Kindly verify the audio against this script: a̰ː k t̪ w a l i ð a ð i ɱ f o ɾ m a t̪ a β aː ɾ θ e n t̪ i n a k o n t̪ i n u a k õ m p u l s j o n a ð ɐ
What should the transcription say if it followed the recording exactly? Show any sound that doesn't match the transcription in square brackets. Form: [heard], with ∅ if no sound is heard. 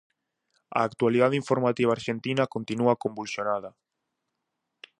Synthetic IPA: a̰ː k t̪ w a l i ð a ð i ɱ f o ɾ m a t̪ [i] β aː ɾ [ʃ] e n t̪ i n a k o n t̪ i n u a k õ m [b] u l s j o n a ð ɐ